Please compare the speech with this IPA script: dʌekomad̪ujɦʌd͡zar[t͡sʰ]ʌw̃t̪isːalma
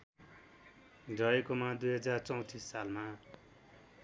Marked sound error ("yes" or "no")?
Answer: yes